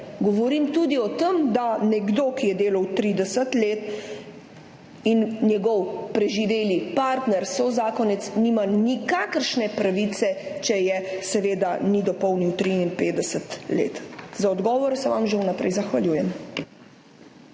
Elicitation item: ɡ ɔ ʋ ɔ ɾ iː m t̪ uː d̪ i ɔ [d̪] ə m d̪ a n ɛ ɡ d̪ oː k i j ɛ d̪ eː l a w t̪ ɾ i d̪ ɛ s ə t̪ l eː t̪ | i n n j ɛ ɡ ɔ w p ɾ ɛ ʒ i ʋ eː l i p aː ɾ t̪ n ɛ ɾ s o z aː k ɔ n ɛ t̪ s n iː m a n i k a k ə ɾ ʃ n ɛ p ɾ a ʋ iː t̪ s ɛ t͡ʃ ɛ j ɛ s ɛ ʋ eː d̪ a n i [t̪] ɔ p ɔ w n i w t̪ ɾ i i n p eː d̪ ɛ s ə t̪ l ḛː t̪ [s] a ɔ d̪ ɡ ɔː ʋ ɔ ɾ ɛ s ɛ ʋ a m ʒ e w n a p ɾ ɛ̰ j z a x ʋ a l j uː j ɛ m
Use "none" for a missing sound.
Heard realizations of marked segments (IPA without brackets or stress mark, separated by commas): t̪, d̪, z